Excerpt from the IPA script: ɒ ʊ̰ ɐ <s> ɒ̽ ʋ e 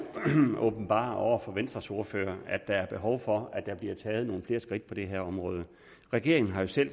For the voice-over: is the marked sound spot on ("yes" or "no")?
no